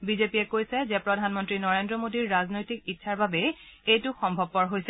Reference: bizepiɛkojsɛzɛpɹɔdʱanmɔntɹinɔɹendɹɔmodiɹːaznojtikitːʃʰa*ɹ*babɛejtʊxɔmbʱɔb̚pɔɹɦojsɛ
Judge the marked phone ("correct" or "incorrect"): correct